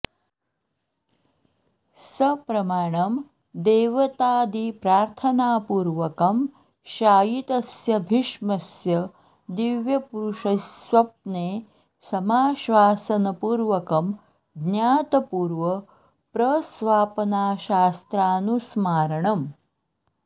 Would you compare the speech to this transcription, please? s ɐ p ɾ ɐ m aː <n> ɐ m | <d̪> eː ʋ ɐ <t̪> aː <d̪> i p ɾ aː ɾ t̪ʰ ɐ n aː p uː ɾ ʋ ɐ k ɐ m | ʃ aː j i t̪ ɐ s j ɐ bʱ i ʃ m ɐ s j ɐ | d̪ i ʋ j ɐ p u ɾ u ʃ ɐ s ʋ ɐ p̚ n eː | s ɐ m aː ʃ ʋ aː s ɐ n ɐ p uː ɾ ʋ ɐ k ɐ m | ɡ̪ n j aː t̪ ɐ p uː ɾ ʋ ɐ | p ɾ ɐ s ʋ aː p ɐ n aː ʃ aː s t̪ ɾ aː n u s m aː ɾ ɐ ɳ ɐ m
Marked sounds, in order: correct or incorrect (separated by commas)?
incorrect, correct, correct, correct